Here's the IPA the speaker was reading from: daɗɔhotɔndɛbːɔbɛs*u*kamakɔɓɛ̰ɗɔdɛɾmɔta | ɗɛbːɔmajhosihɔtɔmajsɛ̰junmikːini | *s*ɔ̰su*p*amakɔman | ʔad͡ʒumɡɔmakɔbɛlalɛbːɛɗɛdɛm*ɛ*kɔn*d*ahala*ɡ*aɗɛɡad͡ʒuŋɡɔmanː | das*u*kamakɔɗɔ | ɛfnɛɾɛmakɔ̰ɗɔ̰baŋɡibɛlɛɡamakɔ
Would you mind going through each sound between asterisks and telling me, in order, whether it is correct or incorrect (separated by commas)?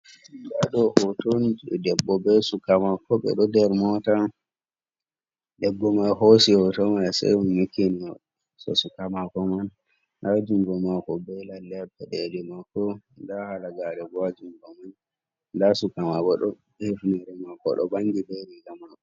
correct, correct, incorrect, incorrect, correct, correct, correct